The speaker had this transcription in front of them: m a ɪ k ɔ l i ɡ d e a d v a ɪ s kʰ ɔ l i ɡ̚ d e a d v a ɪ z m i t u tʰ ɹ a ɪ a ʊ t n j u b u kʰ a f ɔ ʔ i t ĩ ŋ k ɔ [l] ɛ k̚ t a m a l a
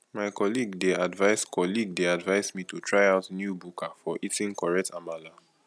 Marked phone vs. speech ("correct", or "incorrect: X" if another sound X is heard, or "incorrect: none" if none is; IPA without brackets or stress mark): incorrect: ɹ